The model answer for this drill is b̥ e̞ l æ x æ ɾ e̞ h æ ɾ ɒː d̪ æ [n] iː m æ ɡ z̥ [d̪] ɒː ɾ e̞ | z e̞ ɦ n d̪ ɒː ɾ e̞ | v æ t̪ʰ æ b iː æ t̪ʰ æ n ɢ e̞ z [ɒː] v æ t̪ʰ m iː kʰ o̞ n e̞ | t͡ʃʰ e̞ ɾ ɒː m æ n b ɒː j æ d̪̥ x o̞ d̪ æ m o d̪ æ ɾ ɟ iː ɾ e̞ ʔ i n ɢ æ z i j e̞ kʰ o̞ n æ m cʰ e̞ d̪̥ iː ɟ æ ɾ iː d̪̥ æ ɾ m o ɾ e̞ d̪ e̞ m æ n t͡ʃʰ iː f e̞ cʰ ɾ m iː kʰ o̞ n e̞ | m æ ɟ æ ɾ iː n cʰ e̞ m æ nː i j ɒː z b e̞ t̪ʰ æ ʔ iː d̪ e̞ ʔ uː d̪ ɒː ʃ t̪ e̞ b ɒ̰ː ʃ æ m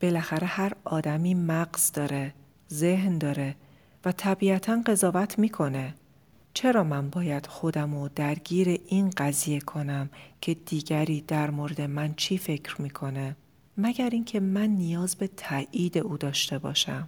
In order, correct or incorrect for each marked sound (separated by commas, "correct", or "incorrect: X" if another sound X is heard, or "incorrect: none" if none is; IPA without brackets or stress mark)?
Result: incorrect: m, correct, correct